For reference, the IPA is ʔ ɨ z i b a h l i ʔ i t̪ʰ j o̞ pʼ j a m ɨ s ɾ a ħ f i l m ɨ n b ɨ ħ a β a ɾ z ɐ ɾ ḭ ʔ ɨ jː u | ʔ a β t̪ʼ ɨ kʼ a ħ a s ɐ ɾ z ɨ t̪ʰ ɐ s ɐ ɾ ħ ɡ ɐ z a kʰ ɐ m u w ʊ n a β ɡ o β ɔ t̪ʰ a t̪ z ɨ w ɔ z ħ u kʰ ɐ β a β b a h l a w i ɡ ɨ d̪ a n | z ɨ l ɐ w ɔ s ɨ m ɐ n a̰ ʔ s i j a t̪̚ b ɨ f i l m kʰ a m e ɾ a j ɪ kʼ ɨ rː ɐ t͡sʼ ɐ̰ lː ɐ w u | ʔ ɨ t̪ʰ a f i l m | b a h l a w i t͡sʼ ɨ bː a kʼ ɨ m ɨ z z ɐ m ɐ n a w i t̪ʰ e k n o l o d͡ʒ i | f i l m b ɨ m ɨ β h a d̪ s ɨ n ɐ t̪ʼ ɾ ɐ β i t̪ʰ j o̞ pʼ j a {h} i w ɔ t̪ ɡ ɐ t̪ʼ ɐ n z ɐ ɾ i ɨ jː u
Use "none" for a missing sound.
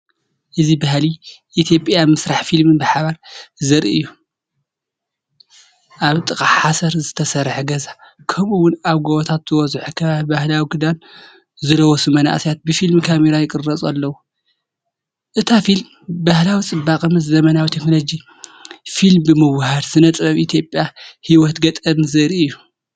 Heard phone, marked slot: h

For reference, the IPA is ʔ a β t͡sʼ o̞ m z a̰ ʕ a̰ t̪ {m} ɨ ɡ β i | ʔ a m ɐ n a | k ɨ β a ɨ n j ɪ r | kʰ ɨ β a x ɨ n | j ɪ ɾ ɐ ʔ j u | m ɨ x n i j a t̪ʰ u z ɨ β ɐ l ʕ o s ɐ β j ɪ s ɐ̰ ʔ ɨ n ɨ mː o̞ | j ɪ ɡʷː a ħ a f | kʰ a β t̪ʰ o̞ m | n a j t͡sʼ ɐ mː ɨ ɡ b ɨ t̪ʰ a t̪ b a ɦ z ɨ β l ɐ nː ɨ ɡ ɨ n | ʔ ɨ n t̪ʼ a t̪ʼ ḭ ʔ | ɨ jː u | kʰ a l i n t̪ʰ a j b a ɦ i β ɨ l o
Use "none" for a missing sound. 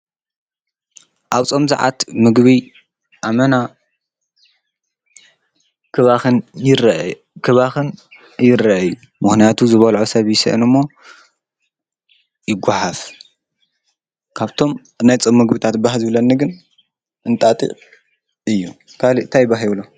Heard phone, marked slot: m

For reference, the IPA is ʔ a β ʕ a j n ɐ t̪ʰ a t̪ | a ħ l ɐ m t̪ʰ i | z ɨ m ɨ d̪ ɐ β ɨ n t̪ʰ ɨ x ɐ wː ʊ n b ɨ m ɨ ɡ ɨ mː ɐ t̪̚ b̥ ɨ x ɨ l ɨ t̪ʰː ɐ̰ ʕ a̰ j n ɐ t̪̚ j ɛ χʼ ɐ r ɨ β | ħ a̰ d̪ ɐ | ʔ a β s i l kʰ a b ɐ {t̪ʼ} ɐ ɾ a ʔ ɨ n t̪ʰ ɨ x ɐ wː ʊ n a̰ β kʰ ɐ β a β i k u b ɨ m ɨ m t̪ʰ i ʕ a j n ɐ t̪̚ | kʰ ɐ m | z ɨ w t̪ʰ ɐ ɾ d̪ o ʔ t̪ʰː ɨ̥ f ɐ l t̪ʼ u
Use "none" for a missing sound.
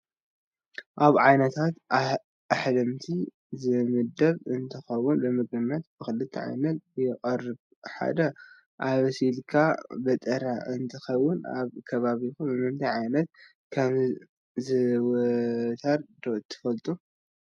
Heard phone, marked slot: t̪ʼ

